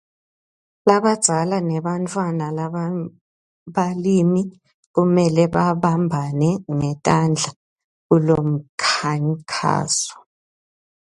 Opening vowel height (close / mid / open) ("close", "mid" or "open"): open